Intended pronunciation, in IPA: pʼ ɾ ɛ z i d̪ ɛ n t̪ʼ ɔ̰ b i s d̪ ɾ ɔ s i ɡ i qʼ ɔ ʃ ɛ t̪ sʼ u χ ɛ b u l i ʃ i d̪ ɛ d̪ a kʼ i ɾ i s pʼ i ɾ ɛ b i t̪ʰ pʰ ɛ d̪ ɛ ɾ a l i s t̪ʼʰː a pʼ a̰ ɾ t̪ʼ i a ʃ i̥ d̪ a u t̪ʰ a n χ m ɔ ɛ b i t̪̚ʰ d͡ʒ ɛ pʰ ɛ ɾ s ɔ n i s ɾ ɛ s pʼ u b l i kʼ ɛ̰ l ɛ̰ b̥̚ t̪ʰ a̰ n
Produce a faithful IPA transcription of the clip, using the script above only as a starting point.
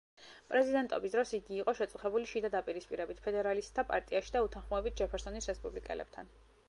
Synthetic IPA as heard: pʼ ɾ ɛ z i d̪ ɛ n t̪ʼ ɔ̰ b i s d̪ ɾ ɔ s i ɡ iː qʼ ɔ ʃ ɛ t̪ sʼ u χ ɛ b u l i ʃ i d̪ a d̪ a pʼ i ɾ i s pʼ i ɾ ɛ b i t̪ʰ pʰ ɛ d̪ ɛ ɾ a l i s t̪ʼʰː a pʼ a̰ ɾ t̪ʼ i a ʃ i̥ d̪ a u t̪ʰ a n χ m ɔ ɛ b i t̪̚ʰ d͡ʒ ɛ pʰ ɛ ɾ s ɔ n i s ɾ ɛ s pʼ u b l i kʼ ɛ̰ l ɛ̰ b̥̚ t̪ʰ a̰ n